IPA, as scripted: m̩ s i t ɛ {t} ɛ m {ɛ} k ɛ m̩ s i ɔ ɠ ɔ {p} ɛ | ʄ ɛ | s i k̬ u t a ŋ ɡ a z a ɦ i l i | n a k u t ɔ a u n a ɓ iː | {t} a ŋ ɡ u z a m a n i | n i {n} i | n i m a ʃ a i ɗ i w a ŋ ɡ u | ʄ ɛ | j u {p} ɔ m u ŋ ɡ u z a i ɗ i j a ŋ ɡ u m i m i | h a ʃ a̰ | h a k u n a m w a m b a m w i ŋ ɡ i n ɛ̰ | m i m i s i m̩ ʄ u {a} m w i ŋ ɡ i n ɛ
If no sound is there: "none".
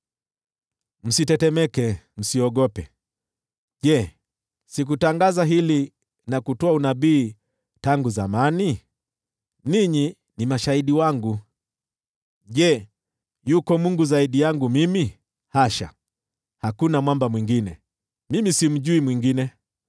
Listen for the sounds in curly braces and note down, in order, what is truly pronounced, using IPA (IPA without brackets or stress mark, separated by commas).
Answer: t, ɛ, p, t, ɲ, k, i